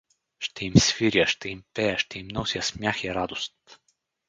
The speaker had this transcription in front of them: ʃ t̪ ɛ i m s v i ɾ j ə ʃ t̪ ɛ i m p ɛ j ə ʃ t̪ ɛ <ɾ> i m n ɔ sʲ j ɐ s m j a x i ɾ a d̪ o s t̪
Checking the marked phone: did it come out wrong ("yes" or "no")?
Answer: yes